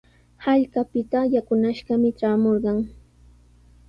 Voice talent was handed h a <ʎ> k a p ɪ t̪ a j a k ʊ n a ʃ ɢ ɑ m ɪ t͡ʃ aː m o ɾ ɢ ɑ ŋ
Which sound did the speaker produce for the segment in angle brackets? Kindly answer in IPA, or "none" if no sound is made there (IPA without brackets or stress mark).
ʎ